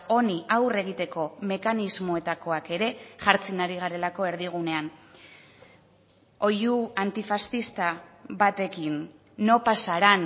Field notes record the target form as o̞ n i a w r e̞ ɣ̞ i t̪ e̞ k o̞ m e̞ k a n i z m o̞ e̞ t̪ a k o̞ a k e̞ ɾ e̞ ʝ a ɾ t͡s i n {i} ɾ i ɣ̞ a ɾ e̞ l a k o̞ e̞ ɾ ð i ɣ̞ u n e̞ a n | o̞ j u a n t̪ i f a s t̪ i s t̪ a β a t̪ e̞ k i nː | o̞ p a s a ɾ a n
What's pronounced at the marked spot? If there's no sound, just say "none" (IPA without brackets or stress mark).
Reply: a